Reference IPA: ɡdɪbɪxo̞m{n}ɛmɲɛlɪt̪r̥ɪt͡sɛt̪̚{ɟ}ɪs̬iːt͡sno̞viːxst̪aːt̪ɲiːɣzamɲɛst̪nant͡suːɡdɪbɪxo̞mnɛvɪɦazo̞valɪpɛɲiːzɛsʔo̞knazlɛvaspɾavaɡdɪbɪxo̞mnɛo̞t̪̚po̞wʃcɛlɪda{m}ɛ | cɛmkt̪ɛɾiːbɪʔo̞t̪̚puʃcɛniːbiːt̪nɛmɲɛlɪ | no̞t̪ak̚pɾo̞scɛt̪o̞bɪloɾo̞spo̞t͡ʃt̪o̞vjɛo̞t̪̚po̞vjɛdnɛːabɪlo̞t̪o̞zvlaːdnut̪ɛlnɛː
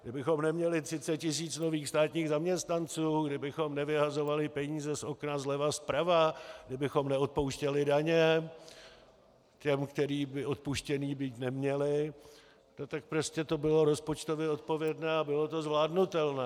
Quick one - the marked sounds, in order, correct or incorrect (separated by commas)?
correct, incorrect, incorrect